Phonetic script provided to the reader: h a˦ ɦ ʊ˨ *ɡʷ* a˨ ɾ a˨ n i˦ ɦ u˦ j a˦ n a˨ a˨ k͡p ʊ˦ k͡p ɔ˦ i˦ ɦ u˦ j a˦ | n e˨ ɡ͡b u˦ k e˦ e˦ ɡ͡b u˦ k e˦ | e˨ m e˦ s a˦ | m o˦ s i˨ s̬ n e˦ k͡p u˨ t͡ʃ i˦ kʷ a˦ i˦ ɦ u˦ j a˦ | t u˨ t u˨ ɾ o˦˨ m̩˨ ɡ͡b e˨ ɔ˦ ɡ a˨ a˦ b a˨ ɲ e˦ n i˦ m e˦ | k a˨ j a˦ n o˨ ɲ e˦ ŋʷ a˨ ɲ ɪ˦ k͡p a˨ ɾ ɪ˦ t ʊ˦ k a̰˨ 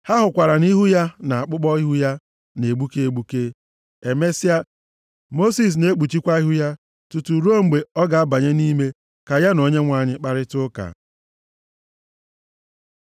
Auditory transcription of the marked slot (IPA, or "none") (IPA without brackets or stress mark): kʷ